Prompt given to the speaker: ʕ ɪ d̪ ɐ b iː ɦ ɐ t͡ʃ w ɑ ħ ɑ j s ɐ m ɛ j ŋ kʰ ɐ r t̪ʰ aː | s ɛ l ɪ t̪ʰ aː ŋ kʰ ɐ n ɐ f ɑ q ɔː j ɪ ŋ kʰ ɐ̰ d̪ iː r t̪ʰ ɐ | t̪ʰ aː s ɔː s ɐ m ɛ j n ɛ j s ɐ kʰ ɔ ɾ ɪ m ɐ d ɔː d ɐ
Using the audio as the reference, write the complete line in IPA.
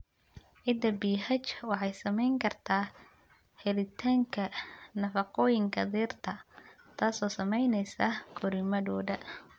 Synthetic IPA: ʕ ɪ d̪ ɐ b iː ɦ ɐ t͡ʃ w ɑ ħ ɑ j s ɐ m ɛ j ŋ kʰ ɐ r t̪ʰ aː | h ɛ l ɪ t̪ʰ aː ŋ kʰ ɐ n ɐ f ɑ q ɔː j ɪ ŋ kʰ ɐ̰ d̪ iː r t̪ʰ ɐ | t̪ʰ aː s ɔː s ɐ m ɛ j n ɛ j s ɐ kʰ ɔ ɾ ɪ m ɐ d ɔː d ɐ

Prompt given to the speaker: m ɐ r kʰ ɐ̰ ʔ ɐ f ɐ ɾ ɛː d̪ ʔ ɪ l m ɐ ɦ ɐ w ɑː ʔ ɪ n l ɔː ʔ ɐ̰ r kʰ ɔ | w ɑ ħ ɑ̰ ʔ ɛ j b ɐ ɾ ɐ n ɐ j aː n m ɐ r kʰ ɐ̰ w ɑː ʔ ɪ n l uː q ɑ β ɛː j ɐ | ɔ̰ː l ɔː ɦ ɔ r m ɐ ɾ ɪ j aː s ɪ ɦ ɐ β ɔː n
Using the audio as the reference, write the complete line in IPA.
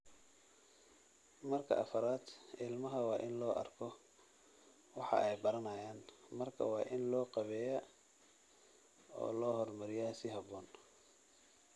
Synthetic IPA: m ɐ r kʰ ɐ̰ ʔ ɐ f ɐ ɾ aː d̪ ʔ ɪ l m ɐ ɦ ɐ w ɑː ʔ ɪ n l ɔː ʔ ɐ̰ r kʰ ɔ | w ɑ ħ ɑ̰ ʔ ɛ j b ɐ ɾ ɐ n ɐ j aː n m ɐ r kʰ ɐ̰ w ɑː ʔ ɪ n l ɔː q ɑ β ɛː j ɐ | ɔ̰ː l ɔː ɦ ɔ r m ɐ ɾ ɪ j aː s ɪ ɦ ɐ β ɔː n

